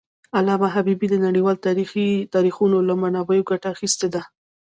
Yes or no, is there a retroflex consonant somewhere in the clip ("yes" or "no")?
yes